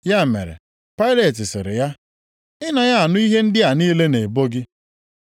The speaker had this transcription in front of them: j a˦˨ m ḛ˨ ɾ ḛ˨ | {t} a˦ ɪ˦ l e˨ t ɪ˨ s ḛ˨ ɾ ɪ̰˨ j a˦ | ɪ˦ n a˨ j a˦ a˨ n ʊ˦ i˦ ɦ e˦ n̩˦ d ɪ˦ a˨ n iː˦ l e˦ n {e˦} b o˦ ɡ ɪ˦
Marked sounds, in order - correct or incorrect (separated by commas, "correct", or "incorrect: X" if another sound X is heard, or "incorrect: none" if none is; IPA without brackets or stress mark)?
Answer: incorrect: p, incorrect: e˨